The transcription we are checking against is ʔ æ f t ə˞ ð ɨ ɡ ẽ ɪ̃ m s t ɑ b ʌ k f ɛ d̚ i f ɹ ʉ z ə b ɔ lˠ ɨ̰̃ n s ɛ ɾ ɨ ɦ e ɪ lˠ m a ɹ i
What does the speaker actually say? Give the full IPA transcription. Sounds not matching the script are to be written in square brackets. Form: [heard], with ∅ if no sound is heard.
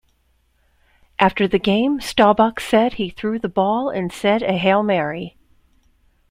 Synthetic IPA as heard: ʔ æ f t ə˞ ð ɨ ɡ ẽ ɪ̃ m s t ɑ b ʌ k [s] ɛ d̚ i [θ] ɹ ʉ [ð] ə b ɔ lˠ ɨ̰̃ n s ɛ ɾ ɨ ɦ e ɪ lˠ m [ɛ] ɹ i

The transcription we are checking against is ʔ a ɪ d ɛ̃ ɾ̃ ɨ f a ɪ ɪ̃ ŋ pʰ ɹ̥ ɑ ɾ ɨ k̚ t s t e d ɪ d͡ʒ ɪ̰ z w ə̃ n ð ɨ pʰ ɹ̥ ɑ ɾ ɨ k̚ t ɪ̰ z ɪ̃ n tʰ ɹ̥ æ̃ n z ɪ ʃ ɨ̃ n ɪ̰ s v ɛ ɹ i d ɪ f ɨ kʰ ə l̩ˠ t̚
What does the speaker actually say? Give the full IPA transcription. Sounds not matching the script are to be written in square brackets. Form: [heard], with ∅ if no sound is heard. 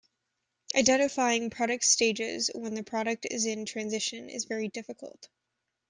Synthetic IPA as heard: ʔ a ɪ d ɛ̃ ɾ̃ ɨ f a ɪ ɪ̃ ŋ pʰ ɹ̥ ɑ ɾ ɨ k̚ t s t e [∅] ɪ d͡ʒ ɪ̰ z w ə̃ n ð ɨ pʰ ɹ̥ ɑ ɾ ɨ k̚ t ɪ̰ z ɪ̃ n tʰ ɹ̥ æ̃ n z ɪ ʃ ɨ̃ n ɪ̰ [z] v ɛ ɹ i d ɪ f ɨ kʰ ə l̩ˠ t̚

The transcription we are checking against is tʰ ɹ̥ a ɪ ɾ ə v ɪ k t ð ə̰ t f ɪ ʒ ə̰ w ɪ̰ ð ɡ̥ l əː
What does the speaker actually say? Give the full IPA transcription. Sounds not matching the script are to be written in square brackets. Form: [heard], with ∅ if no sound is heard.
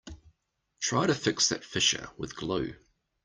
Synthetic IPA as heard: tʰ ɹ̥ a ɪ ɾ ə [f] ɪ k [s] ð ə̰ t f ɪ [ʃ] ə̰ w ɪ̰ ð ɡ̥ l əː

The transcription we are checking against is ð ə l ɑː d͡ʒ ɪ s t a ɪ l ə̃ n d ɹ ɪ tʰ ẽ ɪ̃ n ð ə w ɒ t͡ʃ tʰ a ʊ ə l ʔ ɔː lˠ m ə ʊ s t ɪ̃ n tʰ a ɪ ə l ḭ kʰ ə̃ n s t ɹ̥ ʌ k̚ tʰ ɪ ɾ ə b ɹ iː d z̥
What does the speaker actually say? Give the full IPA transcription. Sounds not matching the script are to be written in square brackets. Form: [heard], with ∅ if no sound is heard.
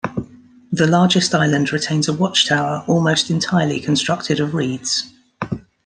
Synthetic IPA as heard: ð ə l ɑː d͡ʒ ɪ s t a ɪ l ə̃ n d ɹ ɪ tʰ ẽ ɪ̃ n [z] ə w ɒ t͡ʃ tʰ a ʊ ə [ɹ] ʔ ɔː lˠ m ə ʊ s t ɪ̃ n tʰ a ɪ ə l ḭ kʰ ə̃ n s t ɹ̥ ʌ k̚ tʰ ɪ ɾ ə [v] ɹ iː d z̥

